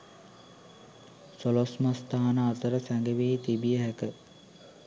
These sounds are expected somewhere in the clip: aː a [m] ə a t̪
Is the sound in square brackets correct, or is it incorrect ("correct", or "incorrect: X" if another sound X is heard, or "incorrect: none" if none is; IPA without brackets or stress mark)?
incorrect: n